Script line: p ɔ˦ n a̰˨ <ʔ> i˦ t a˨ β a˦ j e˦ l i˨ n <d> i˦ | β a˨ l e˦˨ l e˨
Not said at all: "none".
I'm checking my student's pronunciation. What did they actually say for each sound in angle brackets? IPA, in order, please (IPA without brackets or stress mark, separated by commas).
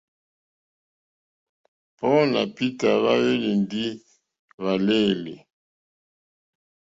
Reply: p, d